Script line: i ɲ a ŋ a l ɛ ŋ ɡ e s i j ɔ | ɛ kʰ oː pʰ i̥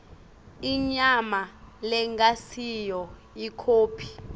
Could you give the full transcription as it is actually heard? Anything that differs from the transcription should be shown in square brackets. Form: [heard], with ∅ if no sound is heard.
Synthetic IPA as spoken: i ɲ a [m] a l ɛ ŋ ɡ [a] s i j ɔ | [i] kʰ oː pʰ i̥